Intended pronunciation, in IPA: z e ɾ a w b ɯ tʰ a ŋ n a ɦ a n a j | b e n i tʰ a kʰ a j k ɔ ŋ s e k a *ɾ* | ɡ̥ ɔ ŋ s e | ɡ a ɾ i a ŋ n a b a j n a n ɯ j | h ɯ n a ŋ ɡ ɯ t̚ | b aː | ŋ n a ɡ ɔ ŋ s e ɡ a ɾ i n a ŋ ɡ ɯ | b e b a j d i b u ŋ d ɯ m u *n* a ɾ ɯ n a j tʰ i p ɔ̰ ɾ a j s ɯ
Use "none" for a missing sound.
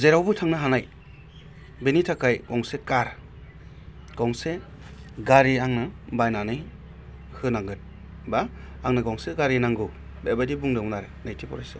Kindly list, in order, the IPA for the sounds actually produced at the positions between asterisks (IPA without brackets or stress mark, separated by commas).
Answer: ɾ, n